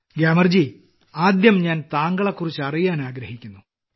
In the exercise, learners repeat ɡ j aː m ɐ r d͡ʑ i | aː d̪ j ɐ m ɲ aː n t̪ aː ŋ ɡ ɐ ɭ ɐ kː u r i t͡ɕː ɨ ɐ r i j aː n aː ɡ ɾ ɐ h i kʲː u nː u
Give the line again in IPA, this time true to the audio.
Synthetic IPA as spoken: ɡ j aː m ɐ r d͡ʑ i | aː d̪ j ɐ m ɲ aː n t̪ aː ŋ ɡ ɐ ɭ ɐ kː u r i t͡ɕː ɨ ɐ r i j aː n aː ɡ ɾ ɐ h i kʲː u nː u